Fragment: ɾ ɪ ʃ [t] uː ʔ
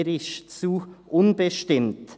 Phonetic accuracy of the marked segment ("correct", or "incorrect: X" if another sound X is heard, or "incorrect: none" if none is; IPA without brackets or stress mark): incorrect: t͡s